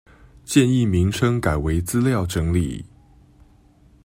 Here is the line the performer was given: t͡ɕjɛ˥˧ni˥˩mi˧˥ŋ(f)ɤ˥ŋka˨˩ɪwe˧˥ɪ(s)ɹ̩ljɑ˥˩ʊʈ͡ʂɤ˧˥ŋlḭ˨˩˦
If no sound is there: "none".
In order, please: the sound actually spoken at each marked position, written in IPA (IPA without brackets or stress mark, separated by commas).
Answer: ʂ, t͡s